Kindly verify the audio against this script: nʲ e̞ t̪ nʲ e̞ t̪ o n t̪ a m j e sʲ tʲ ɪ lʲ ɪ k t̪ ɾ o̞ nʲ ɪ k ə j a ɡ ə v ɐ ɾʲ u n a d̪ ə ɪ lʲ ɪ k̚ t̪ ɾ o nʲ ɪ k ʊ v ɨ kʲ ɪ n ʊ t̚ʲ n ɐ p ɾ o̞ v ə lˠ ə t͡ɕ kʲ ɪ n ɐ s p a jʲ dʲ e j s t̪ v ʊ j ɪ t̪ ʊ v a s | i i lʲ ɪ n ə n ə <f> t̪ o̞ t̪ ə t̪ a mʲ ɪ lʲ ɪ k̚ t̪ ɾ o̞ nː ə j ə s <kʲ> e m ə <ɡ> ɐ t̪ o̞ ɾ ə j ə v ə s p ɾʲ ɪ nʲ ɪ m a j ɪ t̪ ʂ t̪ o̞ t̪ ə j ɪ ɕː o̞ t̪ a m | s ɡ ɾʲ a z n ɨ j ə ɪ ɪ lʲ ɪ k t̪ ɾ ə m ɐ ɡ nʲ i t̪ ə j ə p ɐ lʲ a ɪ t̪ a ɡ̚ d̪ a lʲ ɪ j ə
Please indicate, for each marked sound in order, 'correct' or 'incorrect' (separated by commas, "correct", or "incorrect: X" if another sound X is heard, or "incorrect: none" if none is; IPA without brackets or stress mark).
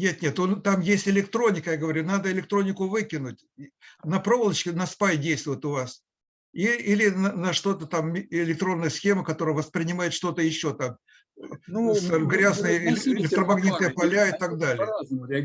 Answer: incorrect: ʂ, incorrect: xʲ, incorrect: k